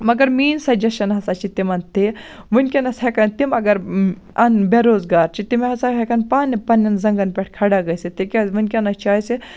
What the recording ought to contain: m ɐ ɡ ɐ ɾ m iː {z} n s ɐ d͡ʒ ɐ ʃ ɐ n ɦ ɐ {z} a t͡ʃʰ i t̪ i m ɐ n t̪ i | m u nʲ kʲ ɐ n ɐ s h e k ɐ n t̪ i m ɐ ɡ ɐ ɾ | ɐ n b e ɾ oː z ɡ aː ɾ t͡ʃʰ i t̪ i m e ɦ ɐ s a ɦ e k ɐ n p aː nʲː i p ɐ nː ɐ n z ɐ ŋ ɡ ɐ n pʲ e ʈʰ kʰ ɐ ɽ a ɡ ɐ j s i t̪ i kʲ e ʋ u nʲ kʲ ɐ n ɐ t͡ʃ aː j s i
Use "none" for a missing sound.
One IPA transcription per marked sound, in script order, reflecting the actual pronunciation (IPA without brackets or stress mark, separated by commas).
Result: none, s